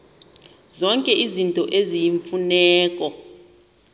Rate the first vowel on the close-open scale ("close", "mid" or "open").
mid